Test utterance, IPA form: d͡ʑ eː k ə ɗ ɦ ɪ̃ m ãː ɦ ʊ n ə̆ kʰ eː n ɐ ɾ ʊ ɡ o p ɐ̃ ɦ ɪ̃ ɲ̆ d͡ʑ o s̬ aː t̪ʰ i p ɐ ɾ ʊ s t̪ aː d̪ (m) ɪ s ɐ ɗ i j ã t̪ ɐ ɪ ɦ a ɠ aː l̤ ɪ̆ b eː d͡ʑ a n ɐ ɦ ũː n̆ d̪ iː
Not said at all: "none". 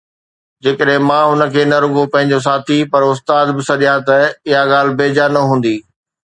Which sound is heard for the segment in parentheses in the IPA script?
b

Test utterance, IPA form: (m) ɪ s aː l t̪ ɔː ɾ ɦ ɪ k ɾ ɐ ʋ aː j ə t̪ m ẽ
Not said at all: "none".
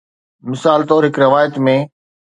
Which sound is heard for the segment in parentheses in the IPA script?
m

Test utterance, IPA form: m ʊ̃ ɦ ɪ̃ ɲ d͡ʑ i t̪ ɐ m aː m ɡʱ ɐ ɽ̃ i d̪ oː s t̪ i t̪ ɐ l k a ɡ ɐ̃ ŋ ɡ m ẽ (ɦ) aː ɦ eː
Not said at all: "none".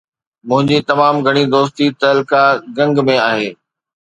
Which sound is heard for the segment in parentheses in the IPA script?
none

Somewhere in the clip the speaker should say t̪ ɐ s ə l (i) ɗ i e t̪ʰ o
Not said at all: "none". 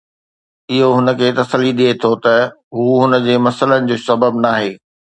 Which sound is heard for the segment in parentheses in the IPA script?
i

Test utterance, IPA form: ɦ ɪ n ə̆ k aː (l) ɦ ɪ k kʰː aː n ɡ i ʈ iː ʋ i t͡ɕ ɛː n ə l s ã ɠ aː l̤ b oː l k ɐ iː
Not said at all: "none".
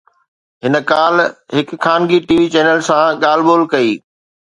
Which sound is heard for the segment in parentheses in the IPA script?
l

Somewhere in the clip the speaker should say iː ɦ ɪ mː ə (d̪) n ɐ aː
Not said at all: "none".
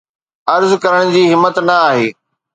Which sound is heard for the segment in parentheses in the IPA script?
t̪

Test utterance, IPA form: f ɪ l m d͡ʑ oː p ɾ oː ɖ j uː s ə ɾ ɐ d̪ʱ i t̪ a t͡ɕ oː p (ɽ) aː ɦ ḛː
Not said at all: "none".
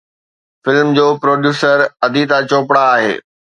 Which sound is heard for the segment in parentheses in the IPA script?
ɽ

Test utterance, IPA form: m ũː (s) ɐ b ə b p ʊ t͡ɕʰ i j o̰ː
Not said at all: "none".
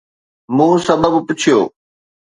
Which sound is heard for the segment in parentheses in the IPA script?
s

